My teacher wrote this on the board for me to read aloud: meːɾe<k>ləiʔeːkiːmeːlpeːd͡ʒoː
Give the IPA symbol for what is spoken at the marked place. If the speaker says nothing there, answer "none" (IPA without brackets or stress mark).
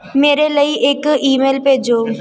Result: none